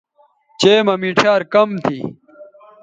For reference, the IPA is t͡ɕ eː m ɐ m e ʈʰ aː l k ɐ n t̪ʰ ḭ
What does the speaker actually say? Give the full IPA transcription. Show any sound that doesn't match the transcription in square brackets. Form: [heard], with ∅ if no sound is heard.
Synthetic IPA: t͡ɕ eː m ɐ m [i] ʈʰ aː [ɾ] k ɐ [m] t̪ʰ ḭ